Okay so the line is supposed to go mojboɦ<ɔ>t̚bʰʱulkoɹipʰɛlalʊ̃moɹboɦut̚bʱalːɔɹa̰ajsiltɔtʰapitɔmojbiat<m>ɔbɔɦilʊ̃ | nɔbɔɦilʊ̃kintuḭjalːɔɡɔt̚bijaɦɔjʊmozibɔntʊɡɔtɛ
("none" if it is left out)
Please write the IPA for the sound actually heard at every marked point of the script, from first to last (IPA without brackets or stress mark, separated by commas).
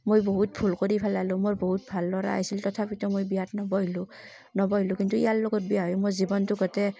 u, n